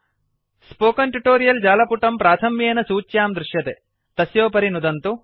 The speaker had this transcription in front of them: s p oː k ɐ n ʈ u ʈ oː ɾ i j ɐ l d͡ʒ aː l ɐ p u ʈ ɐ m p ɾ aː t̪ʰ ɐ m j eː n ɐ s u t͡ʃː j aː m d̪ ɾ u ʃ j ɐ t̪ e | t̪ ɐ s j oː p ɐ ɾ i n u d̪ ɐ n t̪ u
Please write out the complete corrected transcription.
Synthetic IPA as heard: s p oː k ɐ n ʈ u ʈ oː ɾ i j ɐ l d͡ʒ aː l ɐ p u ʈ ɐ m p ɾ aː t̪ʰ ɐ m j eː n ɐ s uː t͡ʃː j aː m d̪ ɾ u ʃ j ɐ t̪ e | t̪ ɐ s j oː p ɐ ɾ i n u d̪ ɐ n t̪ u